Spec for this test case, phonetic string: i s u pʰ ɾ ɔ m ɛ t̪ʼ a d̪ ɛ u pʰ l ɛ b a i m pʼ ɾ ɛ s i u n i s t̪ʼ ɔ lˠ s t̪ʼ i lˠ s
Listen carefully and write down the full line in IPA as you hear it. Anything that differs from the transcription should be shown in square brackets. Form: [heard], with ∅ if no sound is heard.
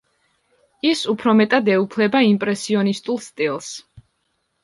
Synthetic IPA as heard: i s u pʰ ɾ ɔ m ɛ t̪ʼ a d̪ ɛ u pʰ l ɛ b a i m pʼ ɾ ɛ s i [ɔ] n i s t̪ʼ [u] lˠ s t̪ʼ i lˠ s